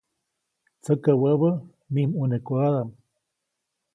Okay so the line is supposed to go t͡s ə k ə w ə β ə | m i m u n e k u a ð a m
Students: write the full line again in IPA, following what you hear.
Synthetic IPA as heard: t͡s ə k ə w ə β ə | m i m u n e k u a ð a m